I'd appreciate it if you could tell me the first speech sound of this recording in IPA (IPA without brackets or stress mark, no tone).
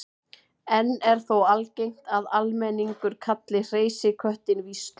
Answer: ɛ